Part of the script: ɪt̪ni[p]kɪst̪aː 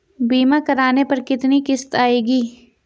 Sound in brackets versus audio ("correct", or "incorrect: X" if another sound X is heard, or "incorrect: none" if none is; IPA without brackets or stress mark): incorrect: none